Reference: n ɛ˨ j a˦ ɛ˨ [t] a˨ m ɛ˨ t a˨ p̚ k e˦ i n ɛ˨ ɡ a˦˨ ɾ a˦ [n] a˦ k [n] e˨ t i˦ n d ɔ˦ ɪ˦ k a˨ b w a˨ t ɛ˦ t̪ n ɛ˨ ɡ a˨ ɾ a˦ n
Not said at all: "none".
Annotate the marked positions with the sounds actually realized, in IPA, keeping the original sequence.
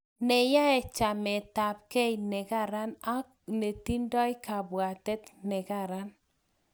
t͡ʃ, n, n

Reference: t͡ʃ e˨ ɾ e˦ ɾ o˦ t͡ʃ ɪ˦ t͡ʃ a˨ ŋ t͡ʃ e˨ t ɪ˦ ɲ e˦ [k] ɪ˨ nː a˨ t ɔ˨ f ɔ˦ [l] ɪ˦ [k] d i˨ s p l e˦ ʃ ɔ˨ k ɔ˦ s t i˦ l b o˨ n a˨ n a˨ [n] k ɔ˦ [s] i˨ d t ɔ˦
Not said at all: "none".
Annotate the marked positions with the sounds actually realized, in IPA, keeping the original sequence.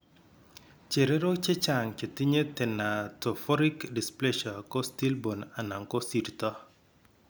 t, ɾ, k, ŋ, s

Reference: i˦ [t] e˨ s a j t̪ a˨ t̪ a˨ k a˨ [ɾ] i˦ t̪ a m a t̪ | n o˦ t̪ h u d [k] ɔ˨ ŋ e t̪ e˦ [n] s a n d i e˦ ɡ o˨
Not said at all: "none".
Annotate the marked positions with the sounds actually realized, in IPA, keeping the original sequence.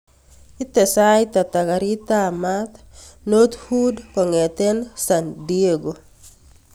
t, ɾ, k, n

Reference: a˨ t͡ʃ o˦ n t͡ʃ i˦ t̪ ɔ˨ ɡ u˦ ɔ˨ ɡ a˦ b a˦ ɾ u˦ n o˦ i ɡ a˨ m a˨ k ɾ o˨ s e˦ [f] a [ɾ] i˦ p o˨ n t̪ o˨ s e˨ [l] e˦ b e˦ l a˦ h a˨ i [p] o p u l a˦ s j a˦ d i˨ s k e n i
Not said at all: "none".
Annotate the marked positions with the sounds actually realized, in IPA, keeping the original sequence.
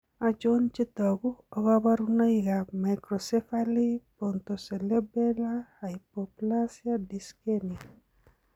f, l, l, p

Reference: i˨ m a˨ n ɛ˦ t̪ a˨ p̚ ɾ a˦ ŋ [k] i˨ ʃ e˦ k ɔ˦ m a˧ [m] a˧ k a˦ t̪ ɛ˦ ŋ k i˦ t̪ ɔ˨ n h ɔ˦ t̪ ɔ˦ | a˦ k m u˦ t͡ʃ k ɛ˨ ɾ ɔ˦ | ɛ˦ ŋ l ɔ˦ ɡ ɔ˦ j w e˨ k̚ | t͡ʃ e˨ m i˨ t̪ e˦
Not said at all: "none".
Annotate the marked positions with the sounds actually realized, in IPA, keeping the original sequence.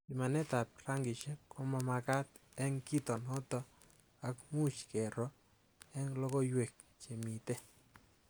ɡ, m

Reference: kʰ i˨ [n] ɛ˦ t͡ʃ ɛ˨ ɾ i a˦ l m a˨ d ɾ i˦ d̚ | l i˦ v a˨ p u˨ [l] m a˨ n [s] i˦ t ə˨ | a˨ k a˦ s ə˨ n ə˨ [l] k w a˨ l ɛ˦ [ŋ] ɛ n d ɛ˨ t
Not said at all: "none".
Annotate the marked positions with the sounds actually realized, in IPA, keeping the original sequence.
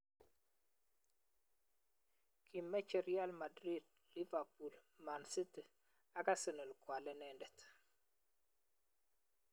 m, l, s, l, n

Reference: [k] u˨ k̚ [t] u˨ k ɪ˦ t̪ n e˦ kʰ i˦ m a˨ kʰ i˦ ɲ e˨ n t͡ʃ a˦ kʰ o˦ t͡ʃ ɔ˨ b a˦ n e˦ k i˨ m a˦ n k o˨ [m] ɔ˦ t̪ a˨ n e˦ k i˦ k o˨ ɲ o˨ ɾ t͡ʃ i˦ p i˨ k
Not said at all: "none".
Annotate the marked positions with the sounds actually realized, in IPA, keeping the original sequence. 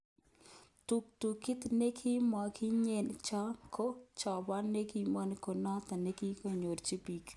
t, t, n

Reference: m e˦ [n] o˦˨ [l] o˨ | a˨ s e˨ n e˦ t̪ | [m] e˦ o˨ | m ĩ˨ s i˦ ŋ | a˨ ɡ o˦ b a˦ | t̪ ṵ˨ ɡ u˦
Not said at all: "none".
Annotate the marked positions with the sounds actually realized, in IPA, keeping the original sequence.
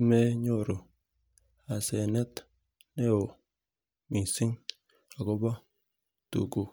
ɲ, ɾ, n

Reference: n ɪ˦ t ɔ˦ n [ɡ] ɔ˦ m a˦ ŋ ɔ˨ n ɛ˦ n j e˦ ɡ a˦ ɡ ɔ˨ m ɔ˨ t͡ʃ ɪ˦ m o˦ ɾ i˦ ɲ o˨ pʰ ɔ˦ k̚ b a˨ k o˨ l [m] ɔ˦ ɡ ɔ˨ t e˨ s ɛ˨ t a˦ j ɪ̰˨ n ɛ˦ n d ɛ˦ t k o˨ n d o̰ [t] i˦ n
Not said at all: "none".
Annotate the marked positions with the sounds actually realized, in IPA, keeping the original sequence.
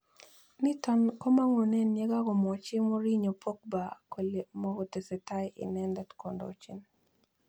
k, m, t͡ʃ

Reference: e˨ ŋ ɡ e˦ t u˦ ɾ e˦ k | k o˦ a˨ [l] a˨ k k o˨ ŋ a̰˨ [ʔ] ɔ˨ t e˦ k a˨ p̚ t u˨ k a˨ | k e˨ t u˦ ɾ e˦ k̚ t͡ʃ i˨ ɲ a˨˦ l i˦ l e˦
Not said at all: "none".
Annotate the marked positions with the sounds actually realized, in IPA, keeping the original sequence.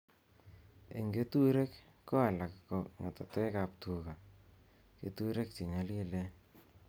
l, t

